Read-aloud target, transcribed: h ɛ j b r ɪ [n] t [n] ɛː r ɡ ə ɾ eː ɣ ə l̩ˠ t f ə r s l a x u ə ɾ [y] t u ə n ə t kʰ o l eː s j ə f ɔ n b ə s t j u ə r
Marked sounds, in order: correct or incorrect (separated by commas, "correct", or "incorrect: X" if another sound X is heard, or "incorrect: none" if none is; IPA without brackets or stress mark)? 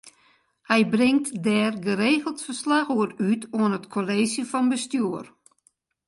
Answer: incorrect: ŋ, incorrect: d, correct